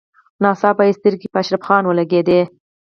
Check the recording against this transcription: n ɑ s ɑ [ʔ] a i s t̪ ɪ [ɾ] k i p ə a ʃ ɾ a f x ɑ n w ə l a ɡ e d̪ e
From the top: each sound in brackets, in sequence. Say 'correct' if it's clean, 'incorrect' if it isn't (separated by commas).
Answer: incorrect, correct